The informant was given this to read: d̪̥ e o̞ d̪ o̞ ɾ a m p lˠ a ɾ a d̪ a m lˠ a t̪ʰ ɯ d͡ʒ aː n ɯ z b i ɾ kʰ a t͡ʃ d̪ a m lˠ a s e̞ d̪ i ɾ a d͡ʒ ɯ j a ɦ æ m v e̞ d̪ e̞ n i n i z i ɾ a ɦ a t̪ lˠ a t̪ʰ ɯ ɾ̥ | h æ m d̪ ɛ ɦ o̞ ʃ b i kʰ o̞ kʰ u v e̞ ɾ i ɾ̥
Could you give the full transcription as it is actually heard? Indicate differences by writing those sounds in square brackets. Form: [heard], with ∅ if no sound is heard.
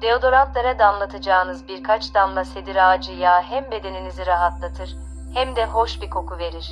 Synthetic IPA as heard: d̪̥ e o̞ d̪ o̞ ɾ a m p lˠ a ɾ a d̪ a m lˠ a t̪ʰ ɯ d͡ʒ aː n ɯ z b i ɾ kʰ a t͡ʃ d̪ a m lˠ a s e̞ d̪ i ɾ a d͡ʒ ɯ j a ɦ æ m [b] e̞ d̪ e̞ n i n i z i ɾ a ɦ a t̪ lˠ a t̪ʰ ɯ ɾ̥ | h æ m d̪ ɛ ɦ o̞ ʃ b i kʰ o̞ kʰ u v e̞ ɾ i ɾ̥